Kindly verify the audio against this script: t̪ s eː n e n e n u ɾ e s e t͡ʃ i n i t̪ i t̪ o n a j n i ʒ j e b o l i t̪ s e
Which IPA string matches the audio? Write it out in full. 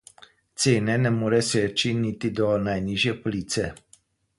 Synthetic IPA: t̪ s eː n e n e m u ɾ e s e t͡ʃ i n i t̪ i d̪ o n a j n i ʒ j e p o l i t̪ s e